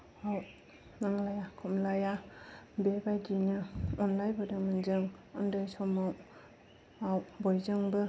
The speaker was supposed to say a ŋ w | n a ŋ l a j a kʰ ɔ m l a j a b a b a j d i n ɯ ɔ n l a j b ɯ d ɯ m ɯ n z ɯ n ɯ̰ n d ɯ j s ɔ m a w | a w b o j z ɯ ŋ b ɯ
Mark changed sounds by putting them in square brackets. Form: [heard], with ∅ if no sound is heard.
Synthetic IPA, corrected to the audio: a [∅] w | n a ŋ l a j a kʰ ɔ m l a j a b [e] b a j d i n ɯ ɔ n l a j b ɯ d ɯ m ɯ n z ɯ [ŋ] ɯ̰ n d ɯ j s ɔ m a w | a w b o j z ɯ ŋ b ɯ